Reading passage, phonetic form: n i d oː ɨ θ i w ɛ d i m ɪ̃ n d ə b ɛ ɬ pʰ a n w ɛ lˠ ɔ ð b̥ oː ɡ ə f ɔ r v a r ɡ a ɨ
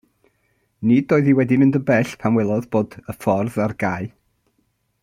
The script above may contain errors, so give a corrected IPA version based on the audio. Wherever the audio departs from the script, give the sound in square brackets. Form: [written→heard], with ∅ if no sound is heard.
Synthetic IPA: n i d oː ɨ [θ→ð] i w ɛ d i m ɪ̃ n d ə b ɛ ɬ pʰ a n w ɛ lˠ ɔ ð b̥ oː [ɡ→d] ə f ɔ r [v→ð] a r ɡ a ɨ

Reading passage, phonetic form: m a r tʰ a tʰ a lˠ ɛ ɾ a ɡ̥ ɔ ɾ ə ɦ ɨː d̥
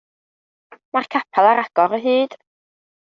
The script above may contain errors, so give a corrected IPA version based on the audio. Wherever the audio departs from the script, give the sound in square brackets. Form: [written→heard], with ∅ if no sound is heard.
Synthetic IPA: m a r [tʰ→kʰ] a [tʰ→pʰ] a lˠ [ɛ→a] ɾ a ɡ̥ ɔ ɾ ə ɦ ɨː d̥

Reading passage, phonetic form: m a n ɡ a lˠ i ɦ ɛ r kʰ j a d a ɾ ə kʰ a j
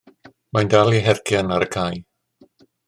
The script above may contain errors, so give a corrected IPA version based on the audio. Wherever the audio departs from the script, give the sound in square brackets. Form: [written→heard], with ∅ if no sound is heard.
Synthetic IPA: m a n [ɡ→d] a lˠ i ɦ ɛ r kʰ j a [d→n] a ɾ ə kʰ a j

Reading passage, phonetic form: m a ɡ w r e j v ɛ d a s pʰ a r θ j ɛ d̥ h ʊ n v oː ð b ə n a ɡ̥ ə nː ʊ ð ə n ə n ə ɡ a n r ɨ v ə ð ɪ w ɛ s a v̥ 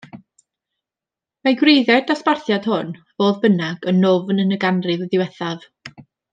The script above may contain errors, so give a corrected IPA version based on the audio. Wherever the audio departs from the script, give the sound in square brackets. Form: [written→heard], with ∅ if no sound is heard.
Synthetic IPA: m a ɡ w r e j [v→ð] ɛ d a s [pʰ→p] a r θ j [ɛ→a] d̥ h ʊ n v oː ð b ə n a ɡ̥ ə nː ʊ [ð→v] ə n ə n ə ɡ a n r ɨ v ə ð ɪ w ɛ [s→θ] a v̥

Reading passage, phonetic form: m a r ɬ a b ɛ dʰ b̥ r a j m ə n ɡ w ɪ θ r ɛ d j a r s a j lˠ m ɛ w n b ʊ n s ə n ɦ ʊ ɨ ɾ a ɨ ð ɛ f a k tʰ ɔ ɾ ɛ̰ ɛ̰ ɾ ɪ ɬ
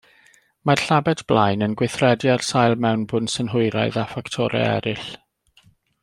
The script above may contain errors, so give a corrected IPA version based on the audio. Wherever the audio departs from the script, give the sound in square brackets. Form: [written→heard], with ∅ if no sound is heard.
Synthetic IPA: m a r ɬ a b ɛ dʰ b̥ [r→l] a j [m→n] ə n ɡ w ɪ θ r ɛ d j a r s a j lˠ m ɛ w n b ʊ n s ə n ɦ ʊ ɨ ɾ a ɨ ð [ɛ→a] f a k tʰ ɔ ɾ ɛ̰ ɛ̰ ɾ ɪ ɬ

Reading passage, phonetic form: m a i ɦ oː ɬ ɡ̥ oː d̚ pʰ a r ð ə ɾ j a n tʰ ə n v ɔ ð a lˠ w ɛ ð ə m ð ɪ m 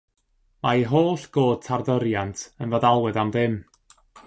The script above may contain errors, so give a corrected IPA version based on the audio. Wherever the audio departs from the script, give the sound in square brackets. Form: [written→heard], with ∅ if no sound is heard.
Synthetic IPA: m a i ɦ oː ɬ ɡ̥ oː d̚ [pʰ→tʰ] a r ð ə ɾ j a n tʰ ə n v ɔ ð a lˠ w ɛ ð [ə→a] m ð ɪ m

